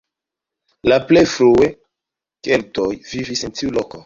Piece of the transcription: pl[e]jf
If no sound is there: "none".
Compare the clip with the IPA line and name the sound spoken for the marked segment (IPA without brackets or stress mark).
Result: e